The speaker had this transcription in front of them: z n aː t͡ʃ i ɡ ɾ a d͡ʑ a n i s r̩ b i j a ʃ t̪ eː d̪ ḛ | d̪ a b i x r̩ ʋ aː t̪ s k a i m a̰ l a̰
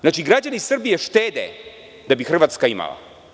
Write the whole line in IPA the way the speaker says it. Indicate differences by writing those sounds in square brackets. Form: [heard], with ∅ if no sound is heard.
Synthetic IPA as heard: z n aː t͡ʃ i ɡ ɾ a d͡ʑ a n i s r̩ b i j [e] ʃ t̪ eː d̪ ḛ | d̪ a b i x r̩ ʋ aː t̪ s k a i m a̰ l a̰